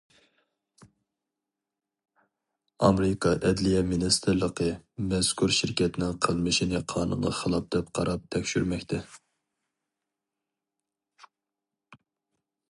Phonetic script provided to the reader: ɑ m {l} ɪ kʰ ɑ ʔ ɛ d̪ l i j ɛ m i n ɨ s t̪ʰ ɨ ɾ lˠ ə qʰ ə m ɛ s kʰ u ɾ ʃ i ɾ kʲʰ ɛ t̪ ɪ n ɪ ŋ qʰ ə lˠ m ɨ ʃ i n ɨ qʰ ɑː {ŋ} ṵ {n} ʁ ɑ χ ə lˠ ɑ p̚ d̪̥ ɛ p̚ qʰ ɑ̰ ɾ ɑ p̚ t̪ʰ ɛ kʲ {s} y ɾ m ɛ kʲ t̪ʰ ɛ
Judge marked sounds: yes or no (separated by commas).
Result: no, no, yes, no